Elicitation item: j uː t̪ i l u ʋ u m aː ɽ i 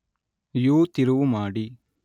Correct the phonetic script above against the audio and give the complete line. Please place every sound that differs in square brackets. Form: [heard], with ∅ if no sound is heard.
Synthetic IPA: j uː t̪ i [ɾ] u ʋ u m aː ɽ i